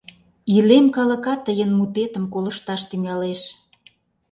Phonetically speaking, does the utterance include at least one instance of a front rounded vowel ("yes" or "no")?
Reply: yes